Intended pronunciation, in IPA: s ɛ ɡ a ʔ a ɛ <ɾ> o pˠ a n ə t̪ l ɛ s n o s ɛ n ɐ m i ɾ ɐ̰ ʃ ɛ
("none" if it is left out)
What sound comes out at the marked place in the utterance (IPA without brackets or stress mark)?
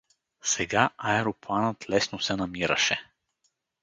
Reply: ɾ